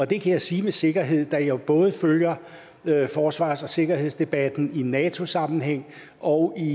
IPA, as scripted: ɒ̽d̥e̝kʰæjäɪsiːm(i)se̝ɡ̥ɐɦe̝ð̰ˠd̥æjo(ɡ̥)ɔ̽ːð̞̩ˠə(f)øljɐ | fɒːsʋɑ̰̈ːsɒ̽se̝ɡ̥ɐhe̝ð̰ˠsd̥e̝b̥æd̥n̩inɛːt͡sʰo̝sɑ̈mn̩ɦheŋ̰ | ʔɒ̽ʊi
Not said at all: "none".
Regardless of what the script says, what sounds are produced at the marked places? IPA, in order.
e, b̥, f

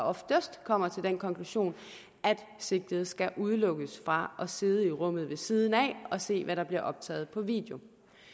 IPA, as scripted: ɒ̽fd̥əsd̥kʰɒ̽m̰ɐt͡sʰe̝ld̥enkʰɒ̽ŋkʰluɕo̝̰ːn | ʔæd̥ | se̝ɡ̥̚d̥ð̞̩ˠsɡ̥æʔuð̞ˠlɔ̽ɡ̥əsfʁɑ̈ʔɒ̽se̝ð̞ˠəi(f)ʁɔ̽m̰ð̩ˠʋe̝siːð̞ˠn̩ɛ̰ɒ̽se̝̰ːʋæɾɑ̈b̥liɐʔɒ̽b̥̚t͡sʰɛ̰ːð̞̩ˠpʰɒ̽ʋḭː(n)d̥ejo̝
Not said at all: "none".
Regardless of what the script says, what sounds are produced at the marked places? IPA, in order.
none, none

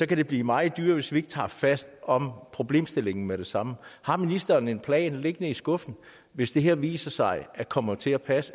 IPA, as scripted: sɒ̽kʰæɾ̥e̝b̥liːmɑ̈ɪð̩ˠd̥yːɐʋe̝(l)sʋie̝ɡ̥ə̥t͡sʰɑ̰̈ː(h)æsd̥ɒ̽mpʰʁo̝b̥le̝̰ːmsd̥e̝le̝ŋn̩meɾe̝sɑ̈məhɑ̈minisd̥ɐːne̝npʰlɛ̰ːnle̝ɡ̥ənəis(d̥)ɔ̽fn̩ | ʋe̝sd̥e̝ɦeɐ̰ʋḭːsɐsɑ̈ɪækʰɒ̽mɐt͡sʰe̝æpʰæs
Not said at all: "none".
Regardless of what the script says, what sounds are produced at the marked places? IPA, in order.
none, f, ɡ̥

